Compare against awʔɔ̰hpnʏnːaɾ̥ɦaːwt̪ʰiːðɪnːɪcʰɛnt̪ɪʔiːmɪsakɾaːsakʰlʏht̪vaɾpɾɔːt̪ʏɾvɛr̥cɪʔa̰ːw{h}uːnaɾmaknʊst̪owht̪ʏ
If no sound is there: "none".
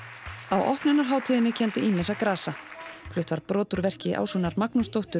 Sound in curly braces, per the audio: s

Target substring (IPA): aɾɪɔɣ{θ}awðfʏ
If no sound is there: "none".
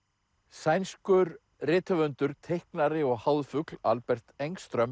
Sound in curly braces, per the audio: h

